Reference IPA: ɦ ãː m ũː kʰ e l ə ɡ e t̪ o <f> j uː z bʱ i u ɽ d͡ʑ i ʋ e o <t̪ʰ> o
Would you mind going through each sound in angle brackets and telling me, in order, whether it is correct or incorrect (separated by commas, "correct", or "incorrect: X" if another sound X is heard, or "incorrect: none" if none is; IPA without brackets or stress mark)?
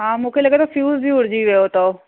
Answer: correct, incorrect: t̪